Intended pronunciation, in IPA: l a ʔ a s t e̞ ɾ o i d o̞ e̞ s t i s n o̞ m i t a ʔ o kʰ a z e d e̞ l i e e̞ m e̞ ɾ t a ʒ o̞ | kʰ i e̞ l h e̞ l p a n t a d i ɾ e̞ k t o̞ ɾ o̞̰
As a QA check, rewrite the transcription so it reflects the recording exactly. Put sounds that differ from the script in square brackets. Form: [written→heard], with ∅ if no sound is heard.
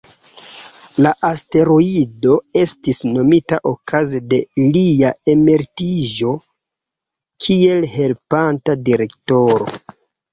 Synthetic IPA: l a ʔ a s t e̞ ɾ o i d o̞ e̞ s t i s n o̞ m i t a ʔ o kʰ a z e d e̞ l i [e→a] e̞ m e̞ ɾ t [a→i] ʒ o̞ | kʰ i e̞ l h e̞ l p a n t a d i ɾ e̞ k t o̞ ɾ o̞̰